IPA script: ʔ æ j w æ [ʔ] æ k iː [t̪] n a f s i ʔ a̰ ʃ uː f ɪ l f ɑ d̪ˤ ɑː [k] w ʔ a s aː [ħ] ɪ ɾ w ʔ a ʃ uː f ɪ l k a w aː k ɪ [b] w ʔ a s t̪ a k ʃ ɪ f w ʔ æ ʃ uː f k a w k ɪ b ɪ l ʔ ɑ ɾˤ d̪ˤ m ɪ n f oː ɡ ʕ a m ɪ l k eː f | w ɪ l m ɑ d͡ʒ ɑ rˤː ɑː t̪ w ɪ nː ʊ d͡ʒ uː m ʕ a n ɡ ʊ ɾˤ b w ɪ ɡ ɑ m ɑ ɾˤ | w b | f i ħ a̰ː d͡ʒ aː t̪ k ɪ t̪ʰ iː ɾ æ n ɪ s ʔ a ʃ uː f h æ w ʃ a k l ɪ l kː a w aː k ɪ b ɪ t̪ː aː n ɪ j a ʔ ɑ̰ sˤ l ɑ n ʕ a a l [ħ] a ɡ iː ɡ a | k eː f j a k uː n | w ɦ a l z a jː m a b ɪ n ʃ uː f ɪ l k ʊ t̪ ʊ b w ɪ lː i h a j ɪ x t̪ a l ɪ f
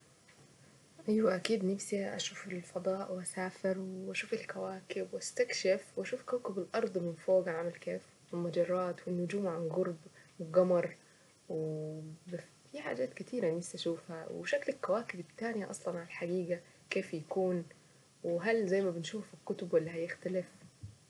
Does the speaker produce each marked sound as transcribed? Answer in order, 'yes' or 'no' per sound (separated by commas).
yes, no, no, no, yes, yes